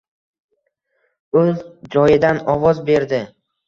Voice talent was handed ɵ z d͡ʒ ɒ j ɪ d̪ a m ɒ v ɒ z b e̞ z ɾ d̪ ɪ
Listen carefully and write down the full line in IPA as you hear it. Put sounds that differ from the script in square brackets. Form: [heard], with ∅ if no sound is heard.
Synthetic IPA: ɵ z d͡ʒ ɒ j ɪ d̪ a [n] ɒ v ɒ z b e̞ [∅] ɾ d̪ ɪ